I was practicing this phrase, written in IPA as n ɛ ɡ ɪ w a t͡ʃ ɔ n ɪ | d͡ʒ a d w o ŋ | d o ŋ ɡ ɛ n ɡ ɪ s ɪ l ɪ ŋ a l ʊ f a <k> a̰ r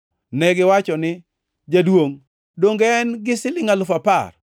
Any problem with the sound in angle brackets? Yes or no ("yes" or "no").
yes